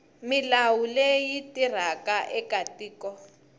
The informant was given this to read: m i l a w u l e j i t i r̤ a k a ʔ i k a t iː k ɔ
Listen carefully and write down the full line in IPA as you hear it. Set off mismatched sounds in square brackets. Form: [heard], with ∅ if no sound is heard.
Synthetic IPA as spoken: m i l a w u l e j i t i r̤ a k a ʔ [ɛ] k a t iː k ɔ